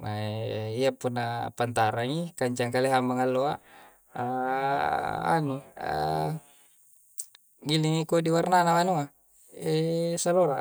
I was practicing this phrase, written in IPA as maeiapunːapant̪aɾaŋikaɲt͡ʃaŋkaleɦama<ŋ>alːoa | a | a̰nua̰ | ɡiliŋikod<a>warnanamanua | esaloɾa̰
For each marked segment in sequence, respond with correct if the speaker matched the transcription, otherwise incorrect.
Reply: correct, incorrect: i

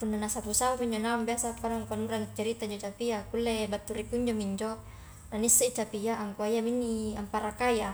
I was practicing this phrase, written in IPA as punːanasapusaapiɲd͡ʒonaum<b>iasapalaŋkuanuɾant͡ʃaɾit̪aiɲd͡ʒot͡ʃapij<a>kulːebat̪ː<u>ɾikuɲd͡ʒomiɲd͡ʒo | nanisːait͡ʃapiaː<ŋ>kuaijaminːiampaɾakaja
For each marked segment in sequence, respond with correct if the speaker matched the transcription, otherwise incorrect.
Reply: correct, correct, correct, correct

